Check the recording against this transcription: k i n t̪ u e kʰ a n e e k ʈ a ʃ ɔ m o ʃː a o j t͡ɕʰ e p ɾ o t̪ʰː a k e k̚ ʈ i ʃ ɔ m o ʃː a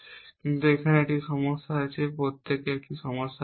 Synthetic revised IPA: k i n t̪ u e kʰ a n e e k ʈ i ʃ ɔ m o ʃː a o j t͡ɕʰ e p ɾ o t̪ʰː e k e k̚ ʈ i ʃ ɔ m o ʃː a